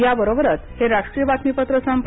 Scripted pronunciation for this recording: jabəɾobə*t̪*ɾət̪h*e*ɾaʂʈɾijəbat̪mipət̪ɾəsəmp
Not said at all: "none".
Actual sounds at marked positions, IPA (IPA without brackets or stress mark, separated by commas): none, e